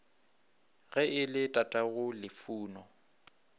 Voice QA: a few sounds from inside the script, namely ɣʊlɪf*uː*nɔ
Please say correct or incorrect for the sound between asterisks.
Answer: correct